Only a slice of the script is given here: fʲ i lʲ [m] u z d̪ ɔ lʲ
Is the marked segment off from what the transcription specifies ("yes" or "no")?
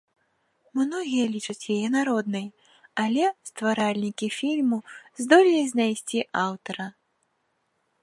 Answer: no